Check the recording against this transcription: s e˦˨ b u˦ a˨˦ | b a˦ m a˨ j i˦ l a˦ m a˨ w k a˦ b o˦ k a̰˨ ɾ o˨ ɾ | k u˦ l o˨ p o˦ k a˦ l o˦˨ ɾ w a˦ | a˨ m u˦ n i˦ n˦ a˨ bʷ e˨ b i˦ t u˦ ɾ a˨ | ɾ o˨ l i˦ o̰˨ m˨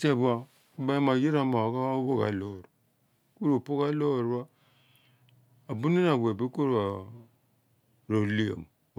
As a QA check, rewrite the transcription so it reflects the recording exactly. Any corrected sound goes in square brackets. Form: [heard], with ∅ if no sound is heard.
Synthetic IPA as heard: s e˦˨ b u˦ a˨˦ | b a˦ m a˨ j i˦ [ɾ] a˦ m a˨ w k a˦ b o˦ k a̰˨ [l] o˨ ɾ | k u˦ [ɾ] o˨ p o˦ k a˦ l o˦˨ ɾ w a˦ | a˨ [b] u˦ n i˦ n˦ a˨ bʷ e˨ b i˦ [k] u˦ ɾ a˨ | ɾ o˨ l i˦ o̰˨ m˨